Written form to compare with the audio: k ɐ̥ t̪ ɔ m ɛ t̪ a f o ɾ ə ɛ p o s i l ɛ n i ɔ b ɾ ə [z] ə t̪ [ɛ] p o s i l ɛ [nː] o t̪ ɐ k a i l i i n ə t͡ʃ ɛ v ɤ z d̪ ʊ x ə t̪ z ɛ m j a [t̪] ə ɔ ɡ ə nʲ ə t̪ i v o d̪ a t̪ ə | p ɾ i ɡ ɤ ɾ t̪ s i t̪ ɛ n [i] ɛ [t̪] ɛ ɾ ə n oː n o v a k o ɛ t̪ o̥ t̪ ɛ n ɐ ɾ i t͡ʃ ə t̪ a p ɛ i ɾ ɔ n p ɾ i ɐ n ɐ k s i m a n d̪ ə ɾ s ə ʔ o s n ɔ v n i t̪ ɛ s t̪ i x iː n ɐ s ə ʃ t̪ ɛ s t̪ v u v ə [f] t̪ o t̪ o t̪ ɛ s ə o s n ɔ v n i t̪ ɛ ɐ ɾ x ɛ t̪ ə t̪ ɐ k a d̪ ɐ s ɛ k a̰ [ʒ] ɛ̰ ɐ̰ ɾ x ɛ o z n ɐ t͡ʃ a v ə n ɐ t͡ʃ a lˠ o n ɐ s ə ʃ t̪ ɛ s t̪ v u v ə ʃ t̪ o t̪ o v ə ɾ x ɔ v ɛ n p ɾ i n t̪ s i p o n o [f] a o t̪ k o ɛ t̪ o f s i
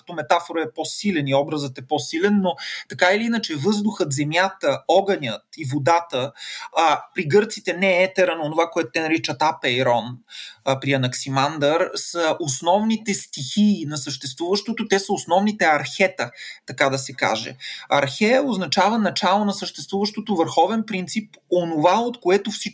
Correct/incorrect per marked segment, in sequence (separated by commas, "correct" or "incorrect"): correct, correct, correct, correct, incorrect, correct, incorrect, correct, incorrect